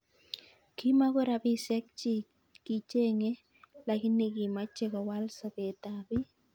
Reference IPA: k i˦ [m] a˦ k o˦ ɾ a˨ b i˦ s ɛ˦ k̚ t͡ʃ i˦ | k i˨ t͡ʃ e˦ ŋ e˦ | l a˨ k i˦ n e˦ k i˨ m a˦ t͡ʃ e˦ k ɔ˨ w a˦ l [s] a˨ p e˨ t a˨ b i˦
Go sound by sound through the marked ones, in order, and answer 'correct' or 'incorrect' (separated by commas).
correct, correct